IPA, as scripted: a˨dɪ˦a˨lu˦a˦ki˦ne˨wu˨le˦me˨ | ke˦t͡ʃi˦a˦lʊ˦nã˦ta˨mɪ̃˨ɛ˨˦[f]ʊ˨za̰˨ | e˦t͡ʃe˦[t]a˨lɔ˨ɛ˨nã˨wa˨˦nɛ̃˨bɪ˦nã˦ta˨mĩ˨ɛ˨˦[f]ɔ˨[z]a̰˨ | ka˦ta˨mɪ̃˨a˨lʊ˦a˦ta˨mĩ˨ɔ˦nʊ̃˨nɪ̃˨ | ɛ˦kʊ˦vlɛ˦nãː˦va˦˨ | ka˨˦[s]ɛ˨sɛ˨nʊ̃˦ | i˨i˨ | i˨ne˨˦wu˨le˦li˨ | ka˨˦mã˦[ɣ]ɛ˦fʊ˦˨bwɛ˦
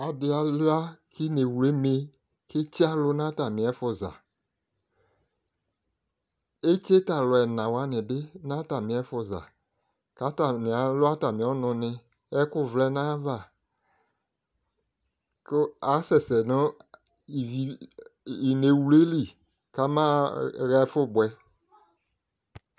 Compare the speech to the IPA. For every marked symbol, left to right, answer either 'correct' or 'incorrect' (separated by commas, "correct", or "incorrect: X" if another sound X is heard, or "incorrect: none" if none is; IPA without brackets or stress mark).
correct, correct, correct, correct, correct, correct